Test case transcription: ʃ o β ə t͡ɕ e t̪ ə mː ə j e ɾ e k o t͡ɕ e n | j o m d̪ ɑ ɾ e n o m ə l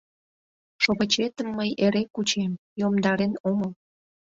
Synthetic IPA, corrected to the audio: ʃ o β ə t͡ɕ e t̪ ə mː ə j e ɾ e k u t͡ɕ e m | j o m d̪ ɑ ɾ e n o m ə l